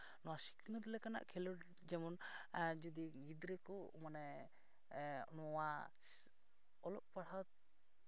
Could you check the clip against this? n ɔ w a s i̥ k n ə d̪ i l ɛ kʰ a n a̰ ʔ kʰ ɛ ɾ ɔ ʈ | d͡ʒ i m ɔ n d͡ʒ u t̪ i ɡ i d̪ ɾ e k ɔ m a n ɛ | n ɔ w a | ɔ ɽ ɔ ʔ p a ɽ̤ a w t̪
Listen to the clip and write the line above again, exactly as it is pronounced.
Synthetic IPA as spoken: n ɔ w a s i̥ k n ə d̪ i l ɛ k a n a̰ ʔ kʰ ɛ l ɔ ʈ | d͡ʒ ɛ m ɔ n d͡ʒ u d̪ i ɡ i d̪ ɾ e k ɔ m a n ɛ | n ɔ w a | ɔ l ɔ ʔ p a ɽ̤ a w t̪